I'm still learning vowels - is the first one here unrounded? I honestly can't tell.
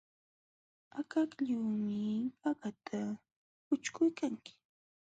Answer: yes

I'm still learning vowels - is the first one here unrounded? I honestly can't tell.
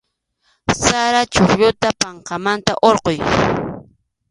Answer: yes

